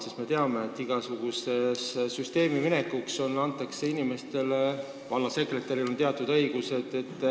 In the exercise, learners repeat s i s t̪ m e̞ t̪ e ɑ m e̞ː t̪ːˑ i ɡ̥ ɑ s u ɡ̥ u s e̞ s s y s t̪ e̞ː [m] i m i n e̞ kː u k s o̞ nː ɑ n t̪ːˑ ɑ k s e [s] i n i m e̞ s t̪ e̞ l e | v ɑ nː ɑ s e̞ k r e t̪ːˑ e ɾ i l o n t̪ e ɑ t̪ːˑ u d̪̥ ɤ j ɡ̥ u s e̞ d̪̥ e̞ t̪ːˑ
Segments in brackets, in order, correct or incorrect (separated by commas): correct, incorrect